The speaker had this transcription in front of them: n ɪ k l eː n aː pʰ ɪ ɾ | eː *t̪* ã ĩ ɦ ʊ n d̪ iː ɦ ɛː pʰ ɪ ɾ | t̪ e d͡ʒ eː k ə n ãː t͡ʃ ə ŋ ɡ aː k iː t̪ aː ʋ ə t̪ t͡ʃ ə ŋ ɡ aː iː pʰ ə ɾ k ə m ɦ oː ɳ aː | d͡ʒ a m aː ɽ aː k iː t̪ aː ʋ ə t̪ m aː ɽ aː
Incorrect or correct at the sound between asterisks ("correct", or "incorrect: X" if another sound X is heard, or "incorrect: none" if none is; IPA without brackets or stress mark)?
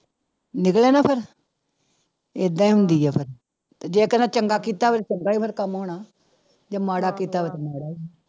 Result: incorrect: d̪